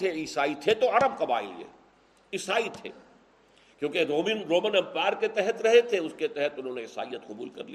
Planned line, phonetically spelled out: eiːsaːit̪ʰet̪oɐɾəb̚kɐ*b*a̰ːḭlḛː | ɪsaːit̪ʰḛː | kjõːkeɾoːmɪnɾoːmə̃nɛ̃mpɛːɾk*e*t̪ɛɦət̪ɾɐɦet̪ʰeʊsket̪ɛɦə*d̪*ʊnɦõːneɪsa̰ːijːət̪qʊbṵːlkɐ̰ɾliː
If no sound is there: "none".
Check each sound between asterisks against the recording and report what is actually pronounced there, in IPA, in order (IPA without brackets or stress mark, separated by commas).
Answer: b, e, t̪